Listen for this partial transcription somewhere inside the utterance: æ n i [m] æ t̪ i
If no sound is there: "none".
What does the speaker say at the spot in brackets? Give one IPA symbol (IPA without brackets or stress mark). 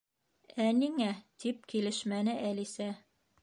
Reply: ŋ